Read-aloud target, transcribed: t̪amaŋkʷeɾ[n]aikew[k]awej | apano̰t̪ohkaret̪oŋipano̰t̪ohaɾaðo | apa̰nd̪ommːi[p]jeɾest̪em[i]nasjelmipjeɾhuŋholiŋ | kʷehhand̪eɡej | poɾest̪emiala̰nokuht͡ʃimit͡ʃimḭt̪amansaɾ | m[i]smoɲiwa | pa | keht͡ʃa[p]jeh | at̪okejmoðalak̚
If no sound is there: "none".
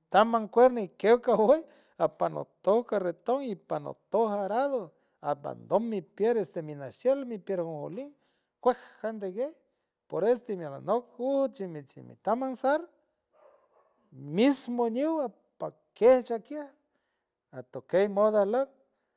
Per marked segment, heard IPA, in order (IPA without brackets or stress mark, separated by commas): n, k, p, i, i, k